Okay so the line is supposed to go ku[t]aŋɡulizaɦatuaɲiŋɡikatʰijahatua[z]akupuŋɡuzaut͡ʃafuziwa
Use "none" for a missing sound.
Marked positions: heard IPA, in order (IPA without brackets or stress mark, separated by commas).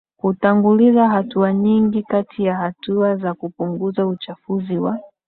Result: t, z